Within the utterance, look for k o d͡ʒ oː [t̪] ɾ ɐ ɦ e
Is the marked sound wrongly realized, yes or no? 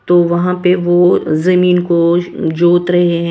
no